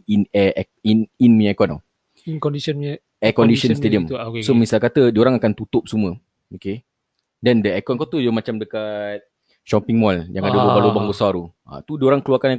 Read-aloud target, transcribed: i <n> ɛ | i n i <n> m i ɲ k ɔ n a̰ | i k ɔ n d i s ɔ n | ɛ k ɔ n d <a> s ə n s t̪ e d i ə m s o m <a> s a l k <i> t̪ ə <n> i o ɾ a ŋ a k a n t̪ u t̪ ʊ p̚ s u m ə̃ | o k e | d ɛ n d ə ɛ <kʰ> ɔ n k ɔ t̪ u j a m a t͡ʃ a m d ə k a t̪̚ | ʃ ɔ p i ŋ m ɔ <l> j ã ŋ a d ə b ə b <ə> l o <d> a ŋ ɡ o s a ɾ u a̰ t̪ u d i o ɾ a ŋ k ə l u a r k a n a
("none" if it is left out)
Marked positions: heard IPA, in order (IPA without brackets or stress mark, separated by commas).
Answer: n, n, i, i, a, d, k, l, a, b